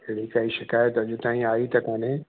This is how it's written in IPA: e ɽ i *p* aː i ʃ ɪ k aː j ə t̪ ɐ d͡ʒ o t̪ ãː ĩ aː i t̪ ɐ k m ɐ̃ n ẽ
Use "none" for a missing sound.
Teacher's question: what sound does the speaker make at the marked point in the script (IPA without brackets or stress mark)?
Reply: k